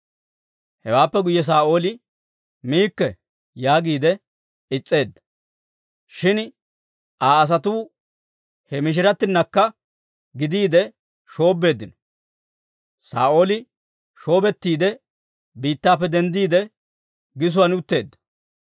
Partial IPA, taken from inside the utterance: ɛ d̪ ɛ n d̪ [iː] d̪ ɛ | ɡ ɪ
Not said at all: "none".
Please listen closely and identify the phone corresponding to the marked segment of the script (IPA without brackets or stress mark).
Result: iː